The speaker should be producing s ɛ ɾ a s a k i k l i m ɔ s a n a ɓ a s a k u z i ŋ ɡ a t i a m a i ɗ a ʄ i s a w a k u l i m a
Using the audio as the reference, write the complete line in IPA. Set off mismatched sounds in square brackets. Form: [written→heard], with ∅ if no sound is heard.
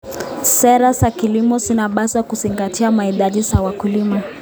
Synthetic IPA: s ɛ ɾ a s a k i [k→∅] l i m ɔ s [a→i] n a ɓ a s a k u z i ŋ ɡ a t i a m a i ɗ a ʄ i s a w a k u l i m a

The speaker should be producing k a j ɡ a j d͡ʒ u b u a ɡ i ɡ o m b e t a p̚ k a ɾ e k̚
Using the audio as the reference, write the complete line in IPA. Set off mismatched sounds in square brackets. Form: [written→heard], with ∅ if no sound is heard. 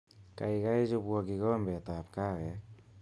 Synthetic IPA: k a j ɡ a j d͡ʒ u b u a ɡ i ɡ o m b e t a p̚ k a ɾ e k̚

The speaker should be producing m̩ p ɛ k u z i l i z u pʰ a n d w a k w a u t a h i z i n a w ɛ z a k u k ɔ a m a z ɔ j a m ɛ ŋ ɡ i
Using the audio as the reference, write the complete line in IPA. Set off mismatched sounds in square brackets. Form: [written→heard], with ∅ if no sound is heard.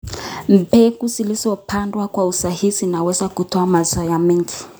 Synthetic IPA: m̩ p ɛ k u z i l i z [u→ɔ] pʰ a n d w a k w a u [t→s] a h i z i n a w ɛ z a k u [k→t] ɔ a m a z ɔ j a m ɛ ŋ ɡ i

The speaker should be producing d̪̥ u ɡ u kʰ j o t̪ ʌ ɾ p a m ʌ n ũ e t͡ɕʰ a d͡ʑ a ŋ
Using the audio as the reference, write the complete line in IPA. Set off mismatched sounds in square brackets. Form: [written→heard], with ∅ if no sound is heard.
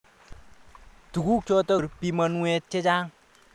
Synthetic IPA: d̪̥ u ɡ u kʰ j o t̪ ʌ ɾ p [a→i] m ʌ n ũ e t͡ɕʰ [a→e] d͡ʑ a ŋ

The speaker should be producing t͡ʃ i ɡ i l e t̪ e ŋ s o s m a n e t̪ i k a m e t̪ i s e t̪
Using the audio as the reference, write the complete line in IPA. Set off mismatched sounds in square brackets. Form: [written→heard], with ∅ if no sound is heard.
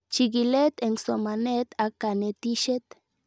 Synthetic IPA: t͡ʃ i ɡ i l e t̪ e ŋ s o [s→∅] m a n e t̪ [i→a] k a [m→n] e t̪ i [s→ʃ] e t̪

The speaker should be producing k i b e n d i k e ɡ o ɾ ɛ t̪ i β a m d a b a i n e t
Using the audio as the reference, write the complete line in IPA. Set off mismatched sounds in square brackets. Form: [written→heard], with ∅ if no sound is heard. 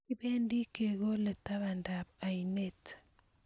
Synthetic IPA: k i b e n d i k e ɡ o [ɾ→l] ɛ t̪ [i→a] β a [m→n] d a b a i n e t

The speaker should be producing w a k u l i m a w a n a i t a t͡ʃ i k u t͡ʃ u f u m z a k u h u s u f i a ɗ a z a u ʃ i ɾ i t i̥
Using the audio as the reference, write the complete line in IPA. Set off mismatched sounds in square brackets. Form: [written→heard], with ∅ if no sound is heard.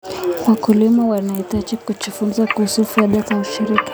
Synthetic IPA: w a k u l i m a w a n a i t a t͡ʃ i k u t͡ʃ u f u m z a k u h u s u f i a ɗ a z a u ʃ i ɾ i [t→k] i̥

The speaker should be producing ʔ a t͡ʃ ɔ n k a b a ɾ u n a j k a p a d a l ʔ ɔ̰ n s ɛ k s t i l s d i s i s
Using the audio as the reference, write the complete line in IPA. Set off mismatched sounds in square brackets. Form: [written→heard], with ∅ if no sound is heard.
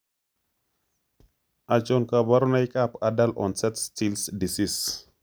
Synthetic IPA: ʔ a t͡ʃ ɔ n k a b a ɾ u n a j k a p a d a l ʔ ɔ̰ n s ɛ [k→t] s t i l s d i s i s

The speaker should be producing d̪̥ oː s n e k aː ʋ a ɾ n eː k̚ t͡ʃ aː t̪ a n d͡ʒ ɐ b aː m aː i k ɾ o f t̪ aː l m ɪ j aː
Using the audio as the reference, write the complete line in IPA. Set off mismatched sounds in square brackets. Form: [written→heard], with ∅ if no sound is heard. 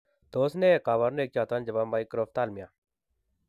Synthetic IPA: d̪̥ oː s n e k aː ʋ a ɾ n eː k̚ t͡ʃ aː t̪ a n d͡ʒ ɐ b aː m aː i k ɾ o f t̪ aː l m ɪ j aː

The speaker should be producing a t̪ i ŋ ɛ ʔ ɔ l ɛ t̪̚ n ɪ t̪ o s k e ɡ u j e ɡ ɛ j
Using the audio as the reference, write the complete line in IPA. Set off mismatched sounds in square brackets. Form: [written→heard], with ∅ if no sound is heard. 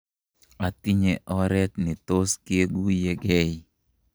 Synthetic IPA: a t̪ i [ŋ→ɲ] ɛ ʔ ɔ [l→ɾ] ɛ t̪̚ n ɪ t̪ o s k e ɡ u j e ɡ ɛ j

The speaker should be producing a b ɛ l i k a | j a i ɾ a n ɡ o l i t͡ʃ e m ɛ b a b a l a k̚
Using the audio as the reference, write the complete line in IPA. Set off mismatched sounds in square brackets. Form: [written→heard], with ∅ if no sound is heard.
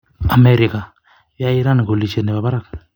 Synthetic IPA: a [b→m] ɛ [l→ɾ] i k a | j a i ɾ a n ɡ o l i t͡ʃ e [m→n] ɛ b a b a [l→ɾ] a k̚

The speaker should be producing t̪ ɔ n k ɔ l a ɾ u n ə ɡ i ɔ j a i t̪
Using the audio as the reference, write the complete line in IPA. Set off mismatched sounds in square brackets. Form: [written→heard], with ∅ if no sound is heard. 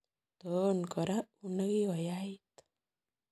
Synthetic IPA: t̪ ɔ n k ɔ [l→ɾ] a [ɾ→∅] u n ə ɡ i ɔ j a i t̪

